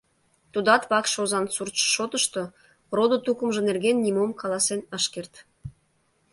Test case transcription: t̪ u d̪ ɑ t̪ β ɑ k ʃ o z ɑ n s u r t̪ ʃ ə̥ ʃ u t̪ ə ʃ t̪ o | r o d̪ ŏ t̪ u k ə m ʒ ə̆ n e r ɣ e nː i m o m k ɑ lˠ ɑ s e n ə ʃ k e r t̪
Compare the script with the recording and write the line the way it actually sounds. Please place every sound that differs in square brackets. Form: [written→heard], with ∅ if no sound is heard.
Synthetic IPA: t̪ u d̪ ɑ t̪ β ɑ k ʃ o z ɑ n s u r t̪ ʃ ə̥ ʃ [u→o] t̪ ə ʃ t̪ o | r o d̪ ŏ t̪ u k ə m ʒ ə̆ n e r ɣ e nː i m o m k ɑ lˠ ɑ s e n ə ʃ k e r t̪